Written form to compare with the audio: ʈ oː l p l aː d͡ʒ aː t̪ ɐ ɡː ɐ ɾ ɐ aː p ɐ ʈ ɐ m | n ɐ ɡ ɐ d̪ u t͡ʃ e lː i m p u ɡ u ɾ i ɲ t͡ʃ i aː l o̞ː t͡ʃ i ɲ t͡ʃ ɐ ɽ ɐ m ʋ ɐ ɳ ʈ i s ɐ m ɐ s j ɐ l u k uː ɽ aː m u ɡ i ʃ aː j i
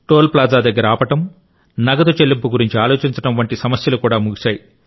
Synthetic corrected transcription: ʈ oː l p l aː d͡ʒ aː d̪ ɐ ɡː ɐ ɾ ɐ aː p ɐ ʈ ɐ m | n ɐ ɡ ɐ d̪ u t͡ʃ e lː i m p u ɡ u ɾ i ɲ t͡ʃ i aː l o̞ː t͡ʃ i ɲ t͡ʃ ɐ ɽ ɐ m ʋ ɐ ɳ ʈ i s ɐ m ɐ s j ɐ l u k uː ɽ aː m u ɡ i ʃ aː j i